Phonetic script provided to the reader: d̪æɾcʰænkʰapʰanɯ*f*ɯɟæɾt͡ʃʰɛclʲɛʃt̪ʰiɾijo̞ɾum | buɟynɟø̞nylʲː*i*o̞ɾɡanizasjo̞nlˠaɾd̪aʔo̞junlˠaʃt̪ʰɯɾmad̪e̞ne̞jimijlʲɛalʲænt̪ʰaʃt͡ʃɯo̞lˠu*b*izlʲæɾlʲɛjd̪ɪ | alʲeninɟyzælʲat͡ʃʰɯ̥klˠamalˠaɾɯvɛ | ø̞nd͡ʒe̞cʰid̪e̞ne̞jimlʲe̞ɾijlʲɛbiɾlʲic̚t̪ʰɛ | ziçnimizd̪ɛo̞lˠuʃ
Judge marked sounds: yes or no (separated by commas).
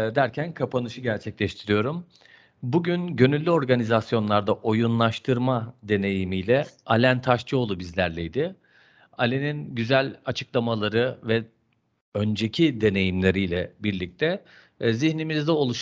no, no, yes